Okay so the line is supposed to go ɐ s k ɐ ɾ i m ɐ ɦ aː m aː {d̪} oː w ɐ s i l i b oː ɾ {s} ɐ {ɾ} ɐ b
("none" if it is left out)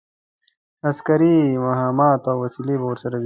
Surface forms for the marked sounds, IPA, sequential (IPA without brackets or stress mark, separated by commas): t̪, s, ɾ